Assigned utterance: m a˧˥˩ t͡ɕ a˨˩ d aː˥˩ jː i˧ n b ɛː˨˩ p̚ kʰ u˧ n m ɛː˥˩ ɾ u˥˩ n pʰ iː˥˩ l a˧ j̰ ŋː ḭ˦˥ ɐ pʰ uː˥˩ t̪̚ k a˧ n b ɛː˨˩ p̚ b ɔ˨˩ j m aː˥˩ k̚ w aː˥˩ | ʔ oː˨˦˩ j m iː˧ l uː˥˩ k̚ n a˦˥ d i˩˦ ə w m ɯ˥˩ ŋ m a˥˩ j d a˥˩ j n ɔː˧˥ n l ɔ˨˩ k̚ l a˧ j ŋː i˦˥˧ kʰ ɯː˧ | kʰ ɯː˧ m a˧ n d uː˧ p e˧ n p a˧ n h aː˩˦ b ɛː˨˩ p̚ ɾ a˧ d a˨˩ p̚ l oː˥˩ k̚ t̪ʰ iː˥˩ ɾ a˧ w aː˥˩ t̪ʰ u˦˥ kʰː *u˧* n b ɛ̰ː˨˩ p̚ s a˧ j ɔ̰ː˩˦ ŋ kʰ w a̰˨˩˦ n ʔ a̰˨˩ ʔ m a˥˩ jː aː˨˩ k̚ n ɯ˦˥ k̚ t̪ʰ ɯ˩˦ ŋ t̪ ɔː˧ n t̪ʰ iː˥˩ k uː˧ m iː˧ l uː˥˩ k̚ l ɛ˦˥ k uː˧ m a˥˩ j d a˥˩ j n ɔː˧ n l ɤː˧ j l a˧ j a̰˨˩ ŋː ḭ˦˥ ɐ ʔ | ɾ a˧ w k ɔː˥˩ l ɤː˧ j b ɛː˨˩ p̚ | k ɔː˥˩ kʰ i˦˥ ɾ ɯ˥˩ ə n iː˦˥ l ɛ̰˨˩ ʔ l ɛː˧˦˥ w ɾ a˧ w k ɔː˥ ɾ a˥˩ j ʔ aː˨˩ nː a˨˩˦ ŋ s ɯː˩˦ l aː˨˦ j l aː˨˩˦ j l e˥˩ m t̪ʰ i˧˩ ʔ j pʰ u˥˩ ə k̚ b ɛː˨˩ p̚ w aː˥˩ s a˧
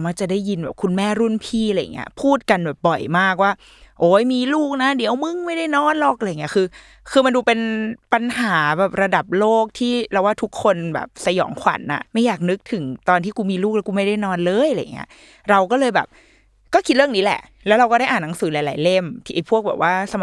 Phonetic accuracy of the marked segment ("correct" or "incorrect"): incorrect